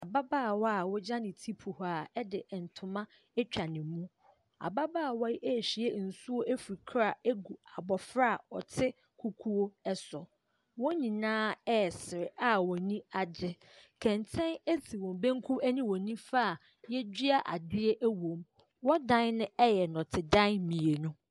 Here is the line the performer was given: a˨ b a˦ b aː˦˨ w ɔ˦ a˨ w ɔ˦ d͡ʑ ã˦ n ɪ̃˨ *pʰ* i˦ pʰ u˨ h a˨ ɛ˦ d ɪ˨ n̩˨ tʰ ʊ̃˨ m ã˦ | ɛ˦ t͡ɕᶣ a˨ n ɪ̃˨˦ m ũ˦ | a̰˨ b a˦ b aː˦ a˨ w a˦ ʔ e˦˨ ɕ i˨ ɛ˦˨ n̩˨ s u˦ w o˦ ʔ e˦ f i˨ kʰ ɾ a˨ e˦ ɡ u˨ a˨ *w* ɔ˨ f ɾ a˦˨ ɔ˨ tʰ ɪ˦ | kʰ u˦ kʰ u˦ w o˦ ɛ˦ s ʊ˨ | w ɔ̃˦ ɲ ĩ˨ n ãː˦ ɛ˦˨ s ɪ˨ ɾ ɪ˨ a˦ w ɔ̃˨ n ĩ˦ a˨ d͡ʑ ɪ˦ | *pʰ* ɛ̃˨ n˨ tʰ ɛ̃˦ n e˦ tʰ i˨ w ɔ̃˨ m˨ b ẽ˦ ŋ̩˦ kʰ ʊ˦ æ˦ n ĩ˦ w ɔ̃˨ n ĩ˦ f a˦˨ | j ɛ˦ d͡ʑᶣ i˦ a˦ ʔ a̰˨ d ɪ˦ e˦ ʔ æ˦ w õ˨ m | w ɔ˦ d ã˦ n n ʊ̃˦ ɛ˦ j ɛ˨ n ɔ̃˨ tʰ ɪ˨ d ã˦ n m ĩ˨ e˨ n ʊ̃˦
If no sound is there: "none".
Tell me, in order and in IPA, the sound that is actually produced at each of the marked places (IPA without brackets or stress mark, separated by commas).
tʰ, b, kʰ